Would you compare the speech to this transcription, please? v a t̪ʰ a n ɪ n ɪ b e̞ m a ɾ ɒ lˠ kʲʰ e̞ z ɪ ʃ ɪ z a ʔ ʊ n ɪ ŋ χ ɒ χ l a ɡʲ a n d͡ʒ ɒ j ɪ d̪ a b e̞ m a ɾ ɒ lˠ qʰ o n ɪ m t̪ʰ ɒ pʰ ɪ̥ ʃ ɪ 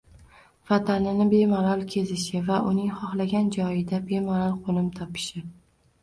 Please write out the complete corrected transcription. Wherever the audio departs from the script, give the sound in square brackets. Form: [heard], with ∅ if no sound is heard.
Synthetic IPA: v a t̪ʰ a n ɪ n ɪ b e̞ m a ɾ ɒ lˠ kʲʰ e̞ z ɪ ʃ ɪ [v] a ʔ ʊ n ɪ ŋ χ ɒ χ l a ɡʲ a n d͡ʒ ɒ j ɪ d̪ a b e̞ m a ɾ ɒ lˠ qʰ o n ɪ m t̪ʰ ɒ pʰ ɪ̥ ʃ ɪ